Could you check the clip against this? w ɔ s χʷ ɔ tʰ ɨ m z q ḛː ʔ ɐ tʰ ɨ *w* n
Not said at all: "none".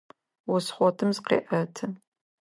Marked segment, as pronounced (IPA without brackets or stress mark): none